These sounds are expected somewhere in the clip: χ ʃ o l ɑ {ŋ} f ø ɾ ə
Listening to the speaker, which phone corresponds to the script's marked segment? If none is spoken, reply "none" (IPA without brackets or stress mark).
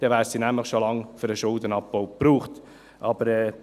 ŋ